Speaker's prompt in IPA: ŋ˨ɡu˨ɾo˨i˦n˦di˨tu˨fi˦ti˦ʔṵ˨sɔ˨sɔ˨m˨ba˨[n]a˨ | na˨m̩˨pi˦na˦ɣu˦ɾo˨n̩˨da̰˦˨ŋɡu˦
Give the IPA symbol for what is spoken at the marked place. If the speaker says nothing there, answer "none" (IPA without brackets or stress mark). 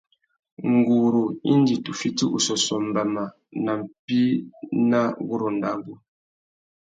m